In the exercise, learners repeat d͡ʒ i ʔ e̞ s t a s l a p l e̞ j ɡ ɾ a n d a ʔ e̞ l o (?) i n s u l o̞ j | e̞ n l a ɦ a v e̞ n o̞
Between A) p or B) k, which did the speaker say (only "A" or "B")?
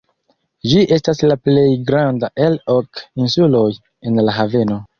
B